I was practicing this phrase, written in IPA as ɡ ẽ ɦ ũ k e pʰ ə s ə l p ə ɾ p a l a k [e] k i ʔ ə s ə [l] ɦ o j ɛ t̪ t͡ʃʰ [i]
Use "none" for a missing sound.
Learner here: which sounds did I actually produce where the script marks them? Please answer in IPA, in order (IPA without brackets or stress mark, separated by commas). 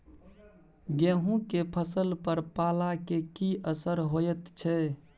e, ɾ, ɛ